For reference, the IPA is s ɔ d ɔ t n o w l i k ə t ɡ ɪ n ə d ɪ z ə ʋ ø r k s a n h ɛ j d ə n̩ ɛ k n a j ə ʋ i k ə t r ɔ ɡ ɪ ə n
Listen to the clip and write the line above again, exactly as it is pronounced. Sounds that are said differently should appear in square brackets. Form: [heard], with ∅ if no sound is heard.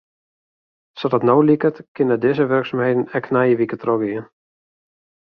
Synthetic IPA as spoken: s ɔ d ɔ t n o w l i k ə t [k] ɪ n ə d ɪ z ə ʋ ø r k s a [m] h [e] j d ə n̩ ɛ k n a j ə ʋ i k ə t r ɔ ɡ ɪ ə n

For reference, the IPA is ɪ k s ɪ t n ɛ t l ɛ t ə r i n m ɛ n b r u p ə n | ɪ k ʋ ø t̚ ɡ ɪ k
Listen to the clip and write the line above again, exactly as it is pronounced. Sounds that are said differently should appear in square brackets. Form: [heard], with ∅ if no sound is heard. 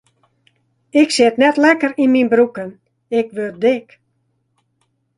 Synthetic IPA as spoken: ɪ k s ɪ t n ɛ t l ɛ [k] ə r i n m [i] n b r u [k] ə n | ɪ k ʋ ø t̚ [d] ɪ k

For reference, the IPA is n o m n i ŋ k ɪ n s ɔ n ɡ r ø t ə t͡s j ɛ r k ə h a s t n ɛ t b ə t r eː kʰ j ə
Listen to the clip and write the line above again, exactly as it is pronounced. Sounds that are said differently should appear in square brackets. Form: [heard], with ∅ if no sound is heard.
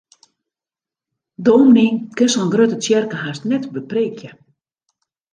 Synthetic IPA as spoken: [d] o m n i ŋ k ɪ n s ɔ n ɡ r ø t ə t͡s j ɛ r k ə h a s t n ɛ t b ə [p] r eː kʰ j ə

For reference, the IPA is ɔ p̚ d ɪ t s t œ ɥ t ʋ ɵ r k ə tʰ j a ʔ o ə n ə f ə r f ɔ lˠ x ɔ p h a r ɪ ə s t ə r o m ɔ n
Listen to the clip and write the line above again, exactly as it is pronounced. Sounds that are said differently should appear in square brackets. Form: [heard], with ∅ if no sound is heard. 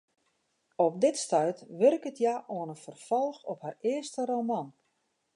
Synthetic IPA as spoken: ɔ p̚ d ɪ t s t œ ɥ t ʋ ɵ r k ə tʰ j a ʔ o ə n ə f ə r f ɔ lˠ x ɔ p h a r ɪ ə s t ə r o m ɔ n

